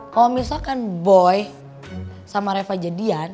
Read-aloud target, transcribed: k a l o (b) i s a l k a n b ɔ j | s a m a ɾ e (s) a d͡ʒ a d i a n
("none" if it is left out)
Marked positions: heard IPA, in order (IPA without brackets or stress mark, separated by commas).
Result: m, f